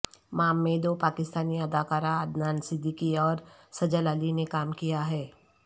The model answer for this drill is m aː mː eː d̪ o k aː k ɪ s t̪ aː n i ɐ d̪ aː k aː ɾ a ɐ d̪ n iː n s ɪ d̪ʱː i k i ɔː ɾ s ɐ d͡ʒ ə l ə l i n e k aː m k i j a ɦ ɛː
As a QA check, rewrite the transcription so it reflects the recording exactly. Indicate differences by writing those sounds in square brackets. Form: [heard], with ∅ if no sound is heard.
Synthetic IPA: m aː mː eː d̪ o [p] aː k ɪ s t̪ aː n i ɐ d̪ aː k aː ɾ a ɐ d̪ n [aː] n s ɪ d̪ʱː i k i ɔː ɾ s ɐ d͡ʒ ə l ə l i n e k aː m k i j a ɦ ɛː